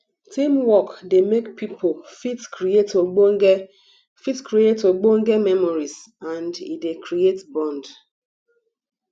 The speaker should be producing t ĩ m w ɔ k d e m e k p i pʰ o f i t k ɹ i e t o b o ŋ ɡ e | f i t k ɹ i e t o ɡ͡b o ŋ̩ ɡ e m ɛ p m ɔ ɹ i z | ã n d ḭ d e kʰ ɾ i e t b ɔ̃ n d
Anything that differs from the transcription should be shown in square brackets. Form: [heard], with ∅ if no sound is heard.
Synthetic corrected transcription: t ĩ m w ɔ k d e m e k p i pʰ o f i t k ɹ i e t o [ɡ͡b] o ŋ ɡ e | f i t k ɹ i e t o ɡ͡b o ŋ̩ ɡ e m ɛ [∅] m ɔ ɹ i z | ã n d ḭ d e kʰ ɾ i e t b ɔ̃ n d